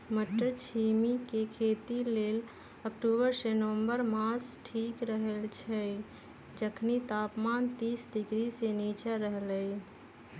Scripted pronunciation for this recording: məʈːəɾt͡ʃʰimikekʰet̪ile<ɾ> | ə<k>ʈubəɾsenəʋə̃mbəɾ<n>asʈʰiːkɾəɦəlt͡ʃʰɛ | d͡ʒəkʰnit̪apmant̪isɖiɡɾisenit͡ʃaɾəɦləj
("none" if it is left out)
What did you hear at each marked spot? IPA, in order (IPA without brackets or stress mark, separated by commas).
l, k, m